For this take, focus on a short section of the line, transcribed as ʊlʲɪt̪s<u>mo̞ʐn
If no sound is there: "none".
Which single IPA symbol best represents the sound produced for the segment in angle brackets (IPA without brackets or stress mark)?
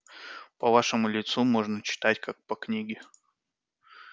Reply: u